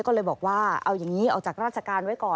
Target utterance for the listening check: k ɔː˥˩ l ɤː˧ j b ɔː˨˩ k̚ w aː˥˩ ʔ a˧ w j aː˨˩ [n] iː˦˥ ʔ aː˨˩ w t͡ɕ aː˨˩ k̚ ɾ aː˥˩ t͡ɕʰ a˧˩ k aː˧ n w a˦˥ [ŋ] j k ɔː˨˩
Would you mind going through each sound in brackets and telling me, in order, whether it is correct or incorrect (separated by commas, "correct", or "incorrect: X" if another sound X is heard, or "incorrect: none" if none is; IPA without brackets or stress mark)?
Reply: incorrect: ŋ, incorrect: none